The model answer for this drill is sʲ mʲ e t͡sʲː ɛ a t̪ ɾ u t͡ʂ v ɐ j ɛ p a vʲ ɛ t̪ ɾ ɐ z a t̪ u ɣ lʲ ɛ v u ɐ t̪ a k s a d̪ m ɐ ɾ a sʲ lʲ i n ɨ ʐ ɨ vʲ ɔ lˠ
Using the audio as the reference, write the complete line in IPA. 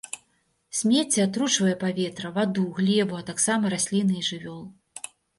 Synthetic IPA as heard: sʲ mʲ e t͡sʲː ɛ a t̪ ɾ u t͡ʂ v ɐ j ɛ p a vʲ ɛ t̪ ɾ ɐ v a d̪ u ɣ lʲ ɛ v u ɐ t̪ a k s a m ɐ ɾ a sʲ lʲ i n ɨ ʐ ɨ vʲ ɔ lˠ